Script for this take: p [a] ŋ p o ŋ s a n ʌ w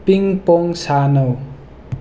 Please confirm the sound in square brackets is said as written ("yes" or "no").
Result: no